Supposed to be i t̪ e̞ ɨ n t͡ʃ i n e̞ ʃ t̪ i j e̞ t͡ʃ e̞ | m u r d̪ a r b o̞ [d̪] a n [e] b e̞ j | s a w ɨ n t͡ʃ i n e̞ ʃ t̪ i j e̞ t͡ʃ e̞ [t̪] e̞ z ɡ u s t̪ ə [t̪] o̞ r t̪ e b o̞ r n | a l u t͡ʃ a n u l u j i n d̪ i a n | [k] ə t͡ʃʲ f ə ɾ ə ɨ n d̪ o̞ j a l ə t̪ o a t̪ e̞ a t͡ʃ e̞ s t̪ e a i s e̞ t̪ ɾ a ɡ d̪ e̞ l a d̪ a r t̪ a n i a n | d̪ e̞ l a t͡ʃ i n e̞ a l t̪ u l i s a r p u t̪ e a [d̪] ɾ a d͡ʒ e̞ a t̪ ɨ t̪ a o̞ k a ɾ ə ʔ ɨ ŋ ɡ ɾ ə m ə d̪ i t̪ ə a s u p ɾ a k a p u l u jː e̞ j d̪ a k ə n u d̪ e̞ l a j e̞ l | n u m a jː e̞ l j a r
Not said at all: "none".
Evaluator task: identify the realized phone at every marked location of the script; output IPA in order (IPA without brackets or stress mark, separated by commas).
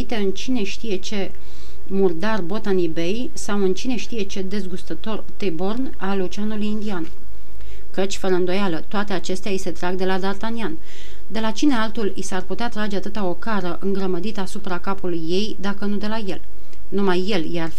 t̪, i, d̪, t̪, k, t̪